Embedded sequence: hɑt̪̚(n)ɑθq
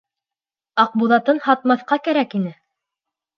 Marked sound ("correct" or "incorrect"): incorrect